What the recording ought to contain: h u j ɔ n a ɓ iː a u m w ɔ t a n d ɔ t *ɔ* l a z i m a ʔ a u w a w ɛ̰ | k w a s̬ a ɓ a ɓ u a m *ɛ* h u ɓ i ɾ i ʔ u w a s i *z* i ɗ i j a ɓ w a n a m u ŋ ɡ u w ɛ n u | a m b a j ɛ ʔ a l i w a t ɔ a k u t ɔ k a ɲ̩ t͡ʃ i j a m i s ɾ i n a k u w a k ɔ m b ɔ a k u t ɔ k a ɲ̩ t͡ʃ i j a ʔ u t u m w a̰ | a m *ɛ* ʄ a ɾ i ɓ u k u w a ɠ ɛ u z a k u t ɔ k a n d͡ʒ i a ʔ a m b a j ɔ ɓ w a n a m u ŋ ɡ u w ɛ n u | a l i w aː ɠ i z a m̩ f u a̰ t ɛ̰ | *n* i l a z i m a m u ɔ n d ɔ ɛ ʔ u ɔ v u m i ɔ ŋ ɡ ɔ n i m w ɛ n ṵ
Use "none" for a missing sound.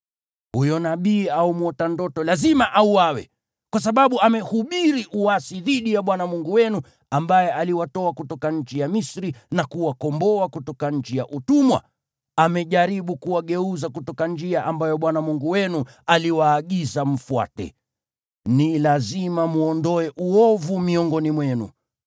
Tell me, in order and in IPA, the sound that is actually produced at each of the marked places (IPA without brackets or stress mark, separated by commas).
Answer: ɔ, ɛ, ð, ɛ, n